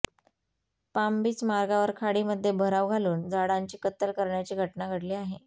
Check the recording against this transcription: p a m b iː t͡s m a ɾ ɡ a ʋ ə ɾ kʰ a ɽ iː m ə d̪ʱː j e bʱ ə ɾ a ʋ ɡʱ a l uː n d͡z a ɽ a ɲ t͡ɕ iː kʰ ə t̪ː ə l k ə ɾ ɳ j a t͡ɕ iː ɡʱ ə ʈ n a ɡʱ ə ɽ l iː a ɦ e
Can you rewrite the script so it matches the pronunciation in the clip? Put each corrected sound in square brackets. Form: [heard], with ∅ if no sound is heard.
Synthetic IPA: p a m b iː t͡s m a ɾ ɡ a ʋ ə ɾ kʰ a ɽ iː m ə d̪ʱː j e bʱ ə ɾ a ʋ ɡʱ a l uː n d͡z a ɽ a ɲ t͡ɕ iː [k] ə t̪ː ə l k ə ɾ ɳ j a t͡ɕ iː ɡʱ ə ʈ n a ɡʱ ə ɽ l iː a ɦ e